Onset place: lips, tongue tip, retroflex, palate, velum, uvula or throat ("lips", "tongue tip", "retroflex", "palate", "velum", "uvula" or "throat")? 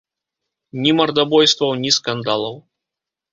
tongue tip